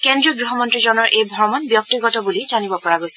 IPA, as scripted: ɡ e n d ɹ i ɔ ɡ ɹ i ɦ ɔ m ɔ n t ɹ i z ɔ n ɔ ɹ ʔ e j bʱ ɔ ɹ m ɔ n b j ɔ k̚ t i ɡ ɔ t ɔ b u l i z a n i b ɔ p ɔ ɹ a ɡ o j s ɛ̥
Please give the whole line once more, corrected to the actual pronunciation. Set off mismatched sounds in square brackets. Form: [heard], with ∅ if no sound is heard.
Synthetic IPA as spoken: [k] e n d ɹ i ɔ ɡ ɹ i ɦ ɔ m ɔ n t ɹ i z ɔ n ɔ ɹ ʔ e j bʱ ɔ ɹ m ɔ n b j ɔ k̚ t i ɡ ɔ t ɔ b u l i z a n i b ɔ p ɔ ɹ a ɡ o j s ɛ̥